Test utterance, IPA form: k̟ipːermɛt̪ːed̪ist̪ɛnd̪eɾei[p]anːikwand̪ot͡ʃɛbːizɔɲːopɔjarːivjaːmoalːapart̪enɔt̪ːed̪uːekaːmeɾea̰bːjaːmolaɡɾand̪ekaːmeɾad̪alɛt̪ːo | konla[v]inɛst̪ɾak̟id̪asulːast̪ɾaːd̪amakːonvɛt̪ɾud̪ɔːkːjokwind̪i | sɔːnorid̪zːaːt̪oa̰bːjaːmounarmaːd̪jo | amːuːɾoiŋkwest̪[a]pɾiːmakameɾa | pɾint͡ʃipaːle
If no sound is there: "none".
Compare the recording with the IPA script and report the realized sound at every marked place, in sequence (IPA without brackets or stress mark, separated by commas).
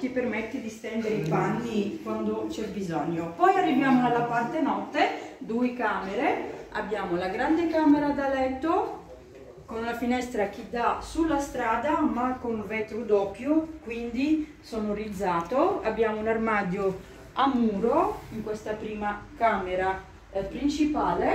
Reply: p, f, a